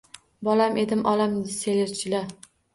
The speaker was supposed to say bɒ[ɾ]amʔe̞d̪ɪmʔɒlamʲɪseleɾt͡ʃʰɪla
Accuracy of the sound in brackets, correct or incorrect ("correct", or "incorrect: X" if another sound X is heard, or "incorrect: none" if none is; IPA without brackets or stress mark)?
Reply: incorrect: l